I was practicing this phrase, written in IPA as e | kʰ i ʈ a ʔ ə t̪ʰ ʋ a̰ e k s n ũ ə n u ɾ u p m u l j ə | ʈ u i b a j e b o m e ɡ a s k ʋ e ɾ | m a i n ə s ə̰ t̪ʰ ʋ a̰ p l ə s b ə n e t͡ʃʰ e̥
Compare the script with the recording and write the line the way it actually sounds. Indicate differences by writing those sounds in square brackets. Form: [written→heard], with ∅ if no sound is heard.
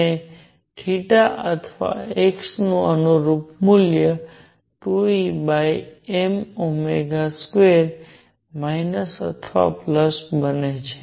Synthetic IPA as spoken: e | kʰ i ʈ a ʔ ə t̪ʰ ʋ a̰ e k s n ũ ə n u ɾ u p m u l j ə | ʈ u i b a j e [b→m] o m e ɡ a s k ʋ e ɾ | m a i n ə s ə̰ t̪ʰ ʋ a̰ p l ə s b ə n e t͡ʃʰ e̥